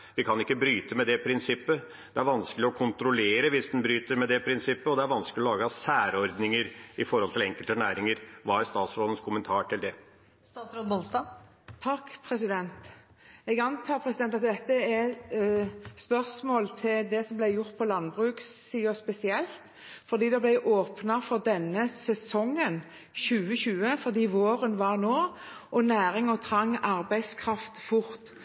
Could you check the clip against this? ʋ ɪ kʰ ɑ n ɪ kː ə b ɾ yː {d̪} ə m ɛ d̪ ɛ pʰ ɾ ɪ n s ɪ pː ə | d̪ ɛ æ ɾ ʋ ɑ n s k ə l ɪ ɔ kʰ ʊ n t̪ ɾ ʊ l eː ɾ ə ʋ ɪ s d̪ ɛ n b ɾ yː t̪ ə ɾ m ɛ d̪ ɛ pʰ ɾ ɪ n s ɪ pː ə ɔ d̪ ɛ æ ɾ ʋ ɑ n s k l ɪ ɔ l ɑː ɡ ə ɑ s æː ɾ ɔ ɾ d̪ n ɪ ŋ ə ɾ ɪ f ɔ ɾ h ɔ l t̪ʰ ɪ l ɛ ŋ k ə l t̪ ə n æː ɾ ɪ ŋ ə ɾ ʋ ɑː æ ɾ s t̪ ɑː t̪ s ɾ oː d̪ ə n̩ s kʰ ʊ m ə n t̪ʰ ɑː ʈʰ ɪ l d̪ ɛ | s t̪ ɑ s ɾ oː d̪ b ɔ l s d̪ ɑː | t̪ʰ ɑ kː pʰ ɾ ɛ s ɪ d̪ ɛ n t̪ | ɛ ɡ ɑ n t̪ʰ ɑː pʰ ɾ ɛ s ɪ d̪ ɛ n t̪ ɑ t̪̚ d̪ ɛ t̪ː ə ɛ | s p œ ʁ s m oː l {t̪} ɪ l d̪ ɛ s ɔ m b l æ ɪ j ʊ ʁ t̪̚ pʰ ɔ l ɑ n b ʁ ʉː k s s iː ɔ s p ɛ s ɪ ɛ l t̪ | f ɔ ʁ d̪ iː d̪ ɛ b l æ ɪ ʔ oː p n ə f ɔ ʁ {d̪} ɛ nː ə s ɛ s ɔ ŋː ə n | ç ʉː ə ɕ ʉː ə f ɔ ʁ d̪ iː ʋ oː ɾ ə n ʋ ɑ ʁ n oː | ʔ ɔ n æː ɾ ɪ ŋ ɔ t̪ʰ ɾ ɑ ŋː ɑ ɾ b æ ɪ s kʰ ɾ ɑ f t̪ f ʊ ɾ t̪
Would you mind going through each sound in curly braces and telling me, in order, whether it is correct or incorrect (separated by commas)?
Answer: incorrect, incorrect, correct